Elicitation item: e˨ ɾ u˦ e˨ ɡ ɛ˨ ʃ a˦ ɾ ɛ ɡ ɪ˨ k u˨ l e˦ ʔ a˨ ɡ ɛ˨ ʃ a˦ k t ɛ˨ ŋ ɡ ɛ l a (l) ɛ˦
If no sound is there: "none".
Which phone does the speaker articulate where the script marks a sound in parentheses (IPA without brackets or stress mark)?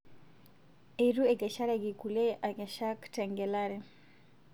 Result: ɾ